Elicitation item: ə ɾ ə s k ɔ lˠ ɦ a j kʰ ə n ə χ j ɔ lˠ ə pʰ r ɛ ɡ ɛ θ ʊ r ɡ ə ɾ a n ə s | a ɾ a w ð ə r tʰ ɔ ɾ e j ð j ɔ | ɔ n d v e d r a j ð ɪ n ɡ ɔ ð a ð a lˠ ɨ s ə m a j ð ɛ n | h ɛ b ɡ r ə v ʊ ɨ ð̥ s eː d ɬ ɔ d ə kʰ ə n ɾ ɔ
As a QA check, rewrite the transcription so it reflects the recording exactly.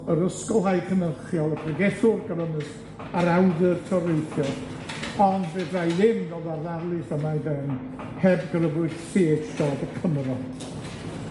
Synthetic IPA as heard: ə ɾ ə s k ɔ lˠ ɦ a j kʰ ə n ə χ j ɔ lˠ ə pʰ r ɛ ɡ ɛ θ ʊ r ɡ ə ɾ ə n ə s | a ɾ a w ð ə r tʰ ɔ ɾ e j θ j ɔ | ɔ n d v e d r a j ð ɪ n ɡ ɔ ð a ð a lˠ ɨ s ə m a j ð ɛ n | h ɛ b ɡ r ə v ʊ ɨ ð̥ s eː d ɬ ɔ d ə kʰ ə m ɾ ɔ

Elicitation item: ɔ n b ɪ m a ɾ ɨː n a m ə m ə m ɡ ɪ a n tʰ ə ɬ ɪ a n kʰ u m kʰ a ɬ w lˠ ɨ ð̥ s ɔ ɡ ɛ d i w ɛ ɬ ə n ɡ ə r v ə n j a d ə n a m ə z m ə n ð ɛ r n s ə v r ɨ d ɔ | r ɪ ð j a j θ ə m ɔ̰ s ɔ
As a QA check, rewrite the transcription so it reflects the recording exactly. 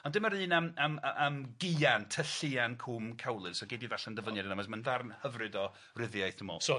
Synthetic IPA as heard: ɔ n d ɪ m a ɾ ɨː n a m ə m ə m ɡ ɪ a n tʰ ə ɬ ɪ a n kʰ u m kʰ a w lˠ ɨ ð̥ s ɔ ɡ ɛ d i v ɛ ɬ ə n d ə v ə n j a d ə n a m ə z m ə n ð a r n h ə v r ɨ d ɔ | r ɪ ð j a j θ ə m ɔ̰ s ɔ

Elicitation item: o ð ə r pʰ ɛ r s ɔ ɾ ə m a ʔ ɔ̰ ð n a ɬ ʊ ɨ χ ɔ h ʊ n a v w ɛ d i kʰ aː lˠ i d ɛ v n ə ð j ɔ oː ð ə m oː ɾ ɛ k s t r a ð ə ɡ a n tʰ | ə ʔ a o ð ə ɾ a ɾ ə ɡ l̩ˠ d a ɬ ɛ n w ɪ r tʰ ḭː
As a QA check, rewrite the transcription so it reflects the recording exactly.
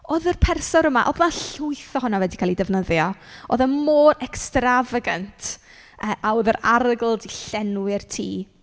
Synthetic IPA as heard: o ð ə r pʰ ɛ r s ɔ ɾ ə m a ʔ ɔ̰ ð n a ɬ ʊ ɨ θ ɔ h ʊ n a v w ɛ d i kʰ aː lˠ i d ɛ v n ə ð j ɔ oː ð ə m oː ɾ ɛ k s t r a v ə ɡ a n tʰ | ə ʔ a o ð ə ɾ a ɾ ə ɡ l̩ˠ d i ɬ ɛ n w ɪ r tʰ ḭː

